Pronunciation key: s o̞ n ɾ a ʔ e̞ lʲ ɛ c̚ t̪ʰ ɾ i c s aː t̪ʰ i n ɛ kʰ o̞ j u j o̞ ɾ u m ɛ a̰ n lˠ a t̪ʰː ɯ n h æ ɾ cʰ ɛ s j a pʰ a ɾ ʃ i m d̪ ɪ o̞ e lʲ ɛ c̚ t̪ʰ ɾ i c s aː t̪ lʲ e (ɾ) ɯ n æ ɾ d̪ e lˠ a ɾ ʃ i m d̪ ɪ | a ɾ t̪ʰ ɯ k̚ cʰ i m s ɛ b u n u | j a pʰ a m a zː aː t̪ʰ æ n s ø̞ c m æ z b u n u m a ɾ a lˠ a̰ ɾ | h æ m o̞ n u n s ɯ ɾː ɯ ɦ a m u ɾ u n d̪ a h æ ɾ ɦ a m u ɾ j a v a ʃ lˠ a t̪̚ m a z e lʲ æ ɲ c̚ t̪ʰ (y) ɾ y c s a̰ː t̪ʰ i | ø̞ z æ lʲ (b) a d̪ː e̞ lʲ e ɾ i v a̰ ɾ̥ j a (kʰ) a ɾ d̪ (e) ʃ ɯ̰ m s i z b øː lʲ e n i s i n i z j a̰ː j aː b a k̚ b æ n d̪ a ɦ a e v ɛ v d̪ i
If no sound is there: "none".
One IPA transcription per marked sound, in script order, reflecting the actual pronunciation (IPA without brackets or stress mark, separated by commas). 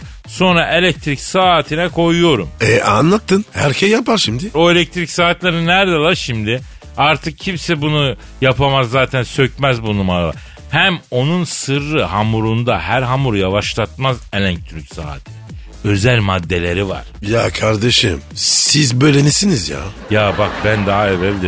ɾ, y, m, kʰ, e